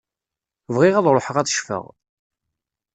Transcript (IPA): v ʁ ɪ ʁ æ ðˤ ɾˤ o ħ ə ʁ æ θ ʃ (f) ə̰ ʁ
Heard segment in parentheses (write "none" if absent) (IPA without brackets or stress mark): f